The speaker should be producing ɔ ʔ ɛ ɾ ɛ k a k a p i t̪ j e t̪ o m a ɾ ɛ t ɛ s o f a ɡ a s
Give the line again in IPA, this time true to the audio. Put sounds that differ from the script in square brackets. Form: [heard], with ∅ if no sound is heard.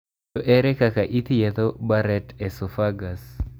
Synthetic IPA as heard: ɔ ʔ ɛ ɾ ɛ k a k a [ʔ] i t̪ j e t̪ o [b] a ɾ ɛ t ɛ s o f a ɡ a s